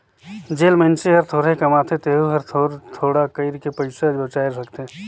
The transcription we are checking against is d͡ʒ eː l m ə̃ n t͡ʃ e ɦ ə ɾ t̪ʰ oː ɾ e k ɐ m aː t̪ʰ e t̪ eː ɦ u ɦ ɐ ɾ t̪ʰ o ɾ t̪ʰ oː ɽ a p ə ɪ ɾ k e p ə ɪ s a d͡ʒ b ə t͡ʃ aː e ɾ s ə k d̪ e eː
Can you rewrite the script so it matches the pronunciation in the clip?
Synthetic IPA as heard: d͡ʒ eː l m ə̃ n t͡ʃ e ɦ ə ɾ t̪ʰ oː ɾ e k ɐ m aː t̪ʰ e t̪ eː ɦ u ɦ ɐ ɾ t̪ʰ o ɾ t̪ʰ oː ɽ a k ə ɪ ɾ k e p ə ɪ s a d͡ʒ b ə t͡ʃ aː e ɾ s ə k t̪ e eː